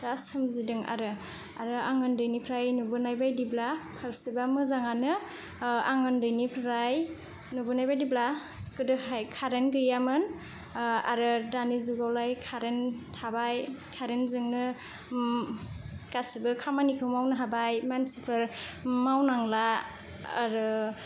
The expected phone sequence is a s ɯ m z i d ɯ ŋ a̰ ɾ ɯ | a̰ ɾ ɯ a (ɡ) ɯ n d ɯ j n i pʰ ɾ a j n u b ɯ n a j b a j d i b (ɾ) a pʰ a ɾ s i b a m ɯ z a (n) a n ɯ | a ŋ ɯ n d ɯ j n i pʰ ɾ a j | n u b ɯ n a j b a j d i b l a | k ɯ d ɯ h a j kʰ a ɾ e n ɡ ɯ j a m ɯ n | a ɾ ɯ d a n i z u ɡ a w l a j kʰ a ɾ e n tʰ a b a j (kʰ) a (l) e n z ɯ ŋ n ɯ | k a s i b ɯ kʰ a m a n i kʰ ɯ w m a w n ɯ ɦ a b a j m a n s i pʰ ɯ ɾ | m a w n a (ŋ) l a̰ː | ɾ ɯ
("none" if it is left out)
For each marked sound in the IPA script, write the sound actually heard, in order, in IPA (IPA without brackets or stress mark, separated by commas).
ŋ, l, ŋ, kʰ, ɾ, ŋ